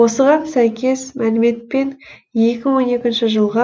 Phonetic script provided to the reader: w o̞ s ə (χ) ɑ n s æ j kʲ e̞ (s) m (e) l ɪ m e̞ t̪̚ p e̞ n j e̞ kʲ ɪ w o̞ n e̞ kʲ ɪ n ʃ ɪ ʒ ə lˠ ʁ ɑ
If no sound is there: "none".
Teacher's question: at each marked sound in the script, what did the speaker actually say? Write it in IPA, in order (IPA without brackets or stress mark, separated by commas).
ʁ, s, æ